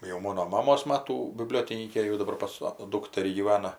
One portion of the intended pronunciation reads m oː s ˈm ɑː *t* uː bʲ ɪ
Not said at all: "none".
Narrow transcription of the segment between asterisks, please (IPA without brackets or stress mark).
t